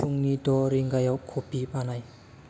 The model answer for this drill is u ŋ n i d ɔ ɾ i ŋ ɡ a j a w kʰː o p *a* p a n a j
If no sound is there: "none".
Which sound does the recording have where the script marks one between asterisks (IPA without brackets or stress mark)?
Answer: i